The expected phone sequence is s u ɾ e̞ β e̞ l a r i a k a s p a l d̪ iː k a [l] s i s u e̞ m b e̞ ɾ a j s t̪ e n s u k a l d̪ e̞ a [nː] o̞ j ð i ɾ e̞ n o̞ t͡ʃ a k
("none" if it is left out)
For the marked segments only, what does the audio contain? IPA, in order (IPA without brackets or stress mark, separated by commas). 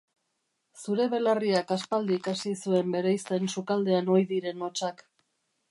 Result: none, n